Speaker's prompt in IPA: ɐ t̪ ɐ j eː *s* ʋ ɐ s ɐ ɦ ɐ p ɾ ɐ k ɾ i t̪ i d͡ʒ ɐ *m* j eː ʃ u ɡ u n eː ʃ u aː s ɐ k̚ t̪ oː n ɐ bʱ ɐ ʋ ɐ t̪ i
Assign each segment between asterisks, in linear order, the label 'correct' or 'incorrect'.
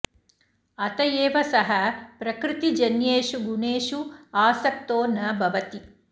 incorrect, incorrect

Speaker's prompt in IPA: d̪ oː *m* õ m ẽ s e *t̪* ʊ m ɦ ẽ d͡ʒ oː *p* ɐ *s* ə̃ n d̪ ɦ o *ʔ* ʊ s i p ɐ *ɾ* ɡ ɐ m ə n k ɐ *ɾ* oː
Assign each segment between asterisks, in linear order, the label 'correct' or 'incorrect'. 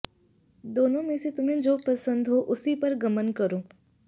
incorrect, correct, correct, correct, correct, correct, correct

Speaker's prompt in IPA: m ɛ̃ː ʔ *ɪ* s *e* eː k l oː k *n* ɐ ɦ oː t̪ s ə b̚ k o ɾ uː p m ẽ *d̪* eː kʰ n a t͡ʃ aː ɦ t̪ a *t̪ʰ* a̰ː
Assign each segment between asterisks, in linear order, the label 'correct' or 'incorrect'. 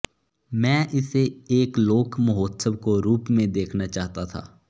correct, correct, incorrect, correct, correct

